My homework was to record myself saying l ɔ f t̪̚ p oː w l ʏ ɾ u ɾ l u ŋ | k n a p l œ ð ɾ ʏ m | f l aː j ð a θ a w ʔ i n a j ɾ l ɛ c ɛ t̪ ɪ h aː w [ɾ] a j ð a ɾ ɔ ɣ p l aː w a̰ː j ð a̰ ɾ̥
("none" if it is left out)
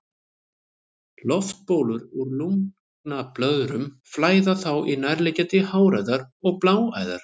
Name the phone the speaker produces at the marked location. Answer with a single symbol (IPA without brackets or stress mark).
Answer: ɾ